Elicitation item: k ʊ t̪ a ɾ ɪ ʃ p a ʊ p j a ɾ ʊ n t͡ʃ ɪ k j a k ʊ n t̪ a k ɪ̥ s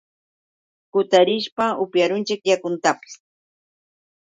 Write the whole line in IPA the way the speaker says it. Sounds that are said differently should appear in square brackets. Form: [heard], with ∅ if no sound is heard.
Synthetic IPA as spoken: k ʊ t̪ a ɾ ɪ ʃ p a ʊ p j a ɾ ʊ n t͡ʃ ɪ k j a k ʊ n t̪ a [p] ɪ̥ s